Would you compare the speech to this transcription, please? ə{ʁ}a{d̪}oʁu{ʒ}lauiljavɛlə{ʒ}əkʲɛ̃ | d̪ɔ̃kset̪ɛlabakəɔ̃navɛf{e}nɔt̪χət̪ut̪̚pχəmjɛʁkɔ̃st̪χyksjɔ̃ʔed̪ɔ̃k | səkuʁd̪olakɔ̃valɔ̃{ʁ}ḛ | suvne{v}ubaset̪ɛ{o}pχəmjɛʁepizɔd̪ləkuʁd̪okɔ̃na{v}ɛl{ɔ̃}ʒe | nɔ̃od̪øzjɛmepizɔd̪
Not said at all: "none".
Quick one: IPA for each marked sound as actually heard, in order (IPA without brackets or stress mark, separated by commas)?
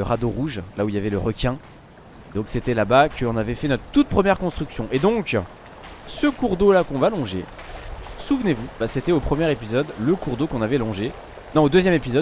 ʁ, d̪, ʒ, ʁ, ɛ, ʒ, v, o, v, ɔ̃